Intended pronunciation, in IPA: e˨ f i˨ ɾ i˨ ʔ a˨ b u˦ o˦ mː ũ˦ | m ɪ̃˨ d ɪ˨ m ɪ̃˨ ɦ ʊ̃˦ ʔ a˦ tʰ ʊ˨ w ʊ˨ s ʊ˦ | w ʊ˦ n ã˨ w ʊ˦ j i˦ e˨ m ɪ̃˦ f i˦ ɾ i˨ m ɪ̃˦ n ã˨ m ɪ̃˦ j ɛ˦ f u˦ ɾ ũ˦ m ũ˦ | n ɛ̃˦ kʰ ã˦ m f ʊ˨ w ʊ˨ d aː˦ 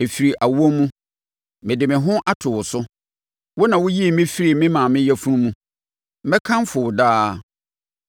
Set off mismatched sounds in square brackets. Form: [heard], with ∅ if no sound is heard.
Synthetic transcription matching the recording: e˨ f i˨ ɾ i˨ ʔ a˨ [w] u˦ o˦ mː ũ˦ | m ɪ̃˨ d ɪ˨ m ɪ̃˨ ɦ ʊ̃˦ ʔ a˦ tʰ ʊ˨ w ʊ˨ s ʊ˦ | w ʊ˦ n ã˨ w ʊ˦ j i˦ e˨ m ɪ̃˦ f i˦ ɾ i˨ m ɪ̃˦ [m] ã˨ m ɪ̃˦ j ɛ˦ f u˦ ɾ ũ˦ m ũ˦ | [m] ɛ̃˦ kʰ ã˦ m f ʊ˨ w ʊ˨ d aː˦